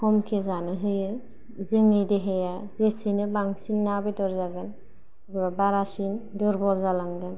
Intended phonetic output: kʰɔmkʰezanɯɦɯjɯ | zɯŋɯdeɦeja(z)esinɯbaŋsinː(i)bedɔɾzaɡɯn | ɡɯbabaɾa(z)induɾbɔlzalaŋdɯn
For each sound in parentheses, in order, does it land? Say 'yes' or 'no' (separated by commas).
yes, no, no